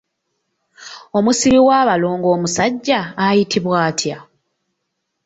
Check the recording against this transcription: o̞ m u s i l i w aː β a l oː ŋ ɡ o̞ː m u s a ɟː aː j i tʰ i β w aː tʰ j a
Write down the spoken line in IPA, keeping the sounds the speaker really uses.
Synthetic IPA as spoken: o̞ m u s i ɾ i w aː β a l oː ŋ ɡ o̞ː m u s a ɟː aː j i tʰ i β w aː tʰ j a